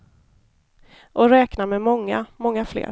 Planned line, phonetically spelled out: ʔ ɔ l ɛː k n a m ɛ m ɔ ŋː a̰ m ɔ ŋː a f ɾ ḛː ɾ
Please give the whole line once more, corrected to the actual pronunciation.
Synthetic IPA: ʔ ɔ ɾ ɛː k n a m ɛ m ɔ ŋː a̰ m ɔ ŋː a f l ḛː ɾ